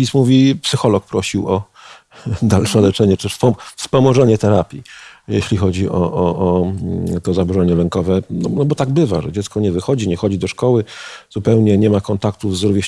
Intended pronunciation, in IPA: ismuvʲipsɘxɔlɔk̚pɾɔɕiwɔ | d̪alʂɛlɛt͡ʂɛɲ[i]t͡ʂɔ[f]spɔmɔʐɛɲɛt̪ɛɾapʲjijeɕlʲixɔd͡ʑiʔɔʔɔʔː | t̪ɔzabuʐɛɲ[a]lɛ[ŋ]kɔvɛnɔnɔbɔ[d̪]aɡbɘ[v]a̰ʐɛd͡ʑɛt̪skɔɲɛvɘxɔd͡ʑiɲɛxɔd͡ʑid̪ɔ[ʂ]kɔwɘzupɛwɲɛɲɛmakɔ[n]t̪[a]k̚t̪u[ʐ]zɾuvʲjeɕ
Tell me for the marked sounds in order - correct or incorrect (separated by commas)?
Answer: incorrect, correct, incorrect, correct, incorrect, correct, correct, correct, correct, incorrect